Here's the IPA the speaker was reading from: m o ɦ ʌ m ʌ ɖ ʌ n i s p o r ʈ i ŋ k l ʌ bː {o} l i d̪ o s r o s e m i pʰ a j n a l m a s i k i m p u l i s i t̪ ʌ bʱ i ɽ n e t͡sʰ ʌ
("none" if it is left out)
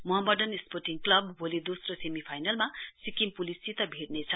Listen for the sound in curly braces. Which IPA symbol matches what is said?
o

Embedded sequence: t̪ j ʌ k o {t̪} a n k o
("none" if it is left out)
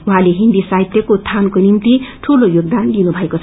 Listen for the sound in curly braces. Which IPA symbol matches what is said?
t̪ʰ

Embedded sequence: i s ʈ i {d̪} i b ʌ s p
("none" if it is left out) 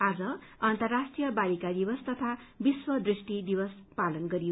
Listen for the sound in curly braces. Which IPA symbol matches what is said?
d̪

